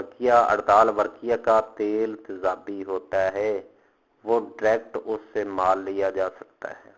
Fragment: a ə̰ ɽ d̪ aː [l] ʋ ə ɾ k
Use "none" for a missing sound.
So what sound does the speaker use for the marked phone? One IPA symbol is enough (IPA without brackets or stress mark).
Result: l